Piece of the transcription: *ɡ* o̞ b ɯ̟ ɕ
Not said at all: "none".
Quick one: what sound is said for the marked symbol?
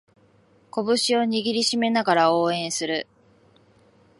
k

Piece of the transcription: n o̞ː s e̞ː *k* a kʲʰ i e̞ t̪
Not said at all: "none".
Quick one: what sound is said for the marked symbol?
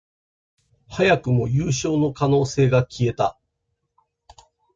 ɡ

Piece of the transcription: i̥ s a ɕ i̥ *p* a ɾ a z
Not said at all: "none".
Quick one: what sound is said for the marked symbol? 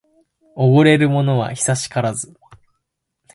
k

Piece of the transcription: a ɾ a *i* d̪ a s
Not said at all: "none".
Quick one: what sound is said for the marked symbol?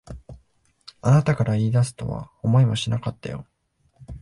iː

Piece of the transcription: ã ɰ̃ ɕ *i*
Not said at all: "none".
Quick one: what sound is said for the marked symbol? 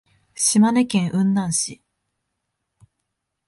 i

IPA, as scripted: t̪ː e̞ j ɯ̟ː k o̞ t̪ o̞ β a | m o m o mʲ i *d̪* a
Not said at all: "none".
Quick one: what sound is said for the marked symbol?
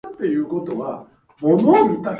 t̪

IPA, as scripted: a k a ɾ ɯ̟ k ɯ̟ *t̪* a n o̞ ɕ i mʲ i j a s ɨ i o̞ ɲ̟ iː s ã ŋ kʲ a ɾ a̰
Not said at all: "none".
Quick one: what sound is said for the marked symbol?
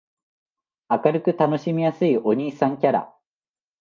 t̪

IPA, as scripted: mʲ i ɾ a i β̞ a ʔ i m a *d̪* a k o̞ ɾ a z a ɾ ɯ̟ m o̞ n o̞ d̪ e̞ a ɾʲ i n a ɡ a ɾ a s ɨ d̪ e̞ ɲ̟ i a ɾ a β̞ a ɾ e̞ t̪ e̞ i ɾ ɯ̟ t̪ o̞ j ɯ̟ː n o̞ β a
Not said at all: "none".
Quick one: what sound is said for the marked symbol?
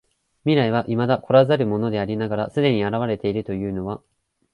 d̪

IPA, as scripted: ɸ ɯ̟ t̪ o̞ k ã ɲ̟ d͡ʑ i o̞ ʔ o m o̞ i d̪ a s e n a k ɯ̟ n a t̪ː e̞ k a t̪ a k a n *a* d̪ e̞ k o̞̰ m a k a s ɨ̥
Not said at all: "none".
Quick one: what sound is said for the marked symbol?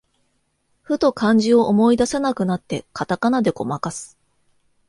a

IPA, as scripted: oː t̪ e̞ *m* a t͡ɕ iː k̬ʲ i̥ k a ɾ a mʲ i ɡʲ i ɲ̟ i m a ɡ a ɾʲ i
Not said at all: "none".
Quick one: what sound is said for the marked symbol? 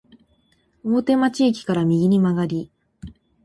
m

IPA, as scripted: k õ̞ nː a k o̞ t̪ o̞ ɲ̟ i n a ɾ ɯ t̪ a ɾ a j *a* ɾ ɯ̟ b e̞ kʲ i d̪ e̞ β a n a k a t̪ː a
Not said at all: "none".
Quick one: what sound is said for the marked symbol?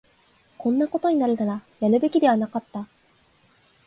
a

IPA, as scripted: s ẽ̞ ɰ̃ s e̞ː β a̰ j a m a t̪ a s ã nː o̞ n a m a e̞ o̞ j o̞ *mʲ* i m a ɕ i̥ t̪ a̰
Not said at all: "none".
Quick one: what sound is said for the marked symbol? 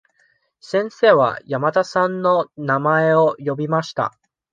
bʲ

